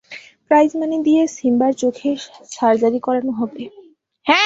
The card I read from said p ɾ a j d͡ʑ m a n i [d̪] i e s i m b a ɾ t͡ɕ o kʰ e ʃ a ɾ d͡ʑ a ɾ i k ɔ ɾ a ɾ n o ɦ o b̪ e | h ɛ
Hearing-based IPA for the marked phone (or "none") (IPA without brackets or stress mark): d̪